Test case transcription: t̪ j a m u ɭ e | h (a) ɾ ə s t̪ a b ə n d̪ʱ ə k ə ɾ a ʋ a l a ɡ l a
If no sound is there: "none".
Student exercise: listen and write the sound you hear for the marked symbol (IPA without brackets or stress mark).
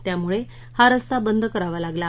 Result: a